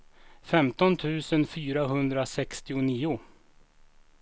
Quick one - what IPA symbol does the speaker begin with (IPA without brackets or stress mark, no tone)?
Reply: f